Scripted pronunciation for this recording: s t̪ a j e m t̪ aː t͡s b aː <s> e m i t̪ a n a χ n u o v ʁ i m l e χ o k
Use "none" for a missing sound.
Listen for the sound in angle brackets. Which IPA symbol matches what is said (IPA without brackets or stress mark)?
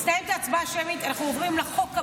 ʃ